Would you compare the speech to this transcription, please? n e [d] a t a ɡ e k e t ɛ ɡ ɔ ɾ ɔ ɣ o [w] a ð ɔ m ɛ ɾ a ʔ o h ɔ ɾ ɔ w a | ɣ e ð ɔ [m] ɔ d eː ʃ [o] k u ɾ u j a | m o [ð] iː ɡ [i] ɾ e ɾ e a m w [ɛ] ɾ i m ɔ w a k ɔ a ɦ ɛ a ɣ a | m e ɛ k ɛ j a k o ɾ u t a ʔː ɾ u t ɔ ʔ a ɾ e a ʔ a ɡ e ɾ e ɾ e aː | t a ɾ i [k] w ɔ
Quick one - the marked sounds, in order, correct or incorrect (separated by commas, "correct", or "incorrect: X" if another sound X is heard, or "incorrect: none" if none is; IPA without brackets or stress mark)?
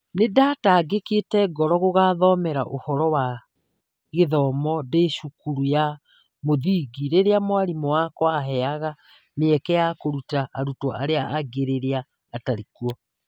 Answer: correct, incorrect: ɣ, correct, incorrect: u, correct, correct, incorrect: a, correct